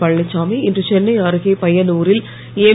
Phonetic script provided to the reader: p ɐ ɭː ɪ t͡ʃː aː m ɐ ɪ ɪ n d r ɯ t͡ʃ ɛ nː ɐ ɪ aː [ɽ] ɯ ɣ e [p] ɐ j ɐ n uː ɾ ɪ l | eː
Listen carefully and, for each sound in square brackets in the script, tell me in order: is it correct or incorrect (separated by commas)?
incorrect, correct